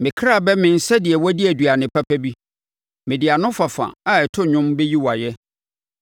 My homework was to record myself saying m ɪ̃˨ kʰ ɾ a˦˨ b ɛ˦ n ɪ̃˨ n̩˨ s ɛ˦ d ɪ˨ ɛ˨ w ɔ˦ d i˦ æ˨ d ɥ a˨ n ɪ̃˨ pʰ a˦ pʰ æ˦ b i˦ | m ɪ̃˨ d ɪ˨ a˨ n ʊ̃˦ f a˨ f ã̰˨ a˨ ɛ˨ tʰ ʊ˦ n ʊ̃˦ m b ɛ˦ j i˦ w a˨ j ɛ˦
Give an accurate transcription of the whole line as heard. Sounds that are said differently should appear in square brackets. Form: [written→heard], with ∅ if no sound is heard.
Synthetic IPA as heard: m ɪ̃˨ kʰ ɾ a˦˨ b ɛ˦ [n→m] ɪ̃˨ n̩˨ s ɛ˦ d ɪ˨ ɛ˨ w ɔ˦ d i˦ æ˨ d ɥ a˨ n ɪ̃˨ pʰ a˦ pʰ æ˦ b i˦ | m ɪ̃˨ d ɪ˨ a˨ n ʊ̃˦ f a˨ f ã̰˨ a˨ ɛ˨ tʰ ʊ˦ [n→ɲ] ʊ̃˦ m b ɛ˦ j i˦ w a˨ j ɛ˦